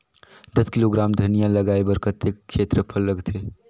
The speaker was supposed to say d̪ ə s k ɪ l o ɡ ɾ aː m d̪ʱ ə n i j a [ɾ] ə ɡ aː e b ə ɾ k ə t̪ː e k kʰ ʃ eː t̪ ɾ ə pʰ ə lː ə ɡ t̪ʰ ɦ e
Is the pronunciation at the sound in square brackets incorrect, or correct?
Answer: incorrect